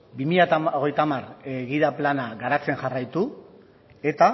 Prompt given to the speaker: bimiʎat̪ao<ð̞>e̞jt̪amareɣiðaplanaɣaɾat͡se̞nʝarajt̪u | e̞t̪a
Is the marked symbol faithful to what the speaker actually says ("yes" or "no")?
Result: no